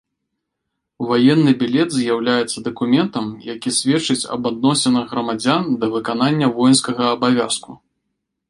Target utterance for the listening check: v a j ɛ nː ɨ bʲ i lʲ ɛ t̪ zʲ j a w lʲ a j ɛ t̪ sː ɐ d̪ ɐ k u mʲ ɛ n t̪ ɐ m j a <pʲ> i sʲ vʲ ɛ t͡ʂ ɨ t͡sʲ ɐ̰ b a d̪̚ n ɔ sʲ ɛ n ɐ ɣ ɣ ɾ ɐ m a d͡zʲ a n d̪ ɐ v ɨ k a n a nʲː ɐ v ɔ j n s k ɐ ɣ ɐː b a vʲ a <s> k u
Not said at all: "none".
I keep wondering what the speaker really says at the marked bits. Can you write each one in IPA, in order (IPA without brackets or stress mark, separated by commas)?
kʲ, s